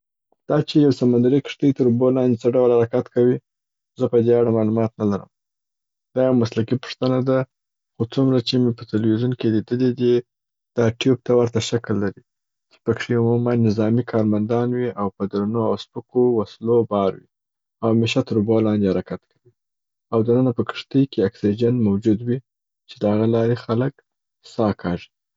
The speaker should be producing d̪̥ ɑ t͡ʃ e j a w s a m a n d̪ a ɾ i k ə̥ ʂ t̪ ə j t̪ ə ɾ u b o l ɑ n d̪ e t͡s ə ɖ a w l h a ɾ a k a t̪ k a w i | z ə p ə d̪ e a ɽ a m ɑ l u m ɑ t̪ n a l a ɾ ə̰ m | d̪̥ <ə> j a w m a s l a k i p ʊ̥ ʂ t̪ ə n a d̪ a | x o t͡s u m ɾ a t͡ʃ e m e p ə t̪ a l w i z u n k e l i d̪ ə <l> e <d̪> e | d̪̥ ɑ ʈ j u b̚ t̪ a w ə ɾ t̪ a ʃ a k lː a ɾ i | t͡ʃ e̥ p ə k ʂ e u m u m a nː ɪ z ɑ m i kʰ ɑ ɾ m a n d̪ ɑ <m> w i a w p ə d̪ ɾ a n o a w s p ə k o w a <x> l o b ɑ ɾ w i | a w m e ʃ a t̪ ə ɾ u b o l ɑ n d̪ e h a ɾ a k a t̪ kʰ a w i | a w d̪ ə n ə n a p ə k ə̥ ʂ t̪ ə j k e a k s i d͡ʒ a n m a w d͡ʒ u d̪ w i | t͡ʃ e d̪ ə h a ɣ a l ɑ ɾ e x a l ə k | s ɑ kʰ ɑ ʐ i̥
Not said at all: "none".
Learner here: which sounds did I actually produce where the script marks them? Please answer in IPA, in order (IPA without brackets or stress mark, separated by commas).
ɑ, l, d̪, n, s